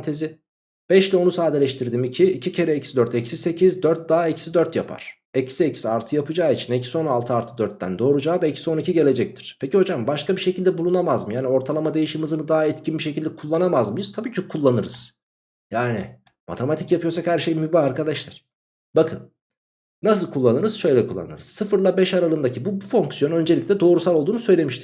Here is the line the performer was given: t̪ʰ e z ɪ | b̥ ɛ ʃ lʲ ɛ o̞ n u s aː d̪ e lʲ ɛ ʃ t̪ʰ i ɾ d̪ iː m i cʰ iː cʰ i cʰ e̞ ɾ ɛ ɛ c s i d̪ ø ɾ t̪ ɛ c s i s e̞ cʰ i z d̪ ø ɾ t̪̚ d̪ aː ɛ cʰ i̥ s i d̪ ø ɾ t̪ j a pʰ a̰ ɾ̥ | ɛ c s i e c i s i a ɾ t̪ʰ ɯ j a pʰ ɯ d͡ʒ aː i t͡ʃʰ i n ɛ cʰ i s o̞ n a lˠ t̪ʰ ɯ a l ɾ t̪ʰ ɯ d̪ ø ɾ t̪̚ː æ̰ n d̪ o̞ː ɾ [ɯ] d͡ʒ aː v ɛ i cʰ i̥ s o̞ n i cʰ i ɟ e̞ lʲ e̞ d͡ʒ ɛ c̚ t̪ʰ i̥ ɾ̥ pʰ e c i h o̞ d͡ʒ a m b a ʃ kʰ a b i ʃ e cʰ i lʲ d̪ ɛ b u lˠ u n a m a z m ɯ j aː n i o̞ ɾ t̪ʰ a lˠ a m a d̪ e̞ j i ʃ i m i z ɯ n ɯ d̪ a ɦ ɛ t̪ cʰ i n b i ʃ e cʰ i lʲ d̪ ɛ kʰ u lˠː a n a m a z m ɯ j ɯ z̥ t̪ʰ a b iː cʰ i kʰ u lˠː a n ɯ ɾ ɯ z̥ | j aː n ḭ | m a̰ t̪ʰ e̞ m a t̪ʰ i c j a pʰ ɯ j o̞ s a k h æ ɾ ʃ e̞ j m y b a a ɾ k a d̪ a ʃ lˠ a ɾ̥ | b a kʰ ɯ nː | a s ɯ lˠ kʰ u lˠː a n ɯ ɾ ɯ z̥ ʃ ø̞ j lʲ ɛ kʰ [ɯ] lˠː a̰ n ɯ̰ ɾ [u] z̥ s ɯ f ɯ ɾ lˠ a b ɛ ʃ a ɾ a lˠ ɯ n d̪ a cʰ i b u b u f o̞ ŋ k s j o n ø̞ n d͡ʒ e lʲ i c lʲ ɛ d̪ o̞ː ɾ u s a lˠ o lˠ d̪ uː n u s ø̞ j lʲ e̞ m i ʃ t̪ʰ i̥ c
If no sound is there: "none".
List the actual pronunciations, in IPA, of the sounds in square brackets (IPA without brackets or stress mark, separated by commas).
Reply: u, u, ɯ